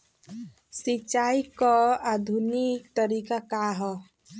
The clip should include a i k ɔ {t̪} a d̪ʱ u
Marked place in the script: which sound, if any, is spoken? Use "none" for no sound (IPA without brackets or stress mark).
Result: none